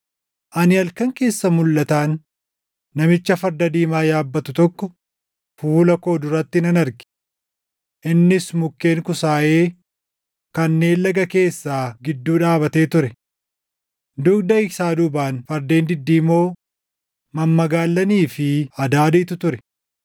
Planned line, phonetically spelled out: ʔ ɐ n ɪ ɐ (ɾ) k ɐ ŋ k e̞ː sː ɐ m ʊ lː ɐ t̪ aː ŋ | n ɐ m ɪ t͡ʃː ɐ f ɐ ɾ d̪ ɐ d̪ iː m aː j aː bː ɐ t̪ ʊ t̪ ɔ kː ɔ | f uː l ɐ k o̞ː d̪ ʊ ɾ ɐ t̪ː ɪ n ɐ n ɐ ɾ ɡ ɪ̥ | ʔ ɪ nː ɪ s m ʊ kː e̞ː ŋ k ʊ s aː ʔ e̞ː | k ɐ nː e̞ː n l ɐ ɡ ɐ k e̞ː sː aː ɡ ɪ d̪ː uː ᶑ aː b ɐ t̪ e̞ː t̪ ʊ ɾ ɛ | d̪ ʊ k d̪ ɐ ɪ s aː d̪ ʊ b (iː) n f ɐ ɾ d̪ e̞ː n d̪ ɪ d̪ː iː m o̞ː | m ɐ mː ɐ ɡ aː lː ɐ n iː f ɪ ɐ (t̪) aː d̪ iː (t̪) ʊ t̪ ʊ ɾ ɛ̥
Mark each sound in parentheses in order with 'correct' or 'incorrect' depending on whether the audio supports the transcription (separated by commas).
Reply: incorrect, incorrect, incorrect, correct